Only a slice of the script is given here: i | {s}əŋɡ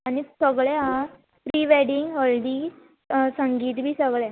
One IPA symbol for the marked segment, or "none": s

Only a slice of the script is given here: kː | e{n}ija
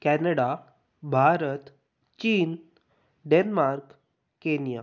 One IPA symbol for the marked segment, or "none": n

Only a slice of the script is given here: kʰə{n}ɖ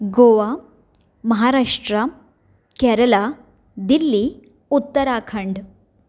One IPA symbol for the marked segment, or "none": ɳ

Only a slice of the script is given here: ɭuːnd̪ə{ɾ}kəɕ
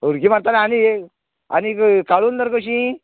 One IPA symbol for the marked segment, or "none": ɾ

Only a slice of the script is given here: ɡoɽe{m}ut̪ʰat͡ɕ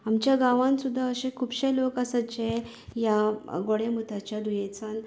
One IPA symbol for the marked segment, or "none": m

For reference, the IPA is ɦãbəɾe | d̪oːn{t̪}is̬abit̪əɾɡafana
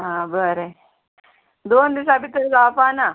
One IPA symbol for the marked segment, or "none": d̪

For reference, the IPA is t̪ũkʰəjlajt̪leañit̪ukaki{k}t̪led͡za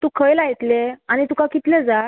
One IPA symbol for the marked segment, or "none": none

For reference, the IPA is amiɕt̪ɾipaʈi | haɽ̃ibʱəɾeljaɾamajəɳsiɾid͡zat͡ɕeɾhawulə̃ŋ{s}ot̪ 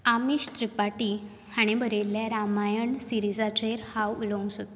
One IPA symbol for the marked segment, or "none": s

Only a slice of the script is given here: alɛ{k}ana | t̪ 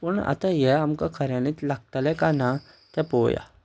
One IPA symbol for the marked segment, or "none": k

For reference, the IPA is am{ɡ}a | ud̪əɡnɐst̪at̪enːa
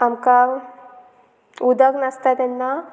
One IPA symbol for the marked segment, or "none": k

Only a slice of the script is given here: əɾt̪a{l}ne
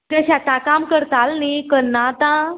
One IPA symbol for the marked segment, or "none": l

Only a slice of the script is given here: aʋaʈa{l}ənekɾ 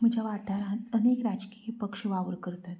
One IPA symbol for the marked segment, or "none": ɾ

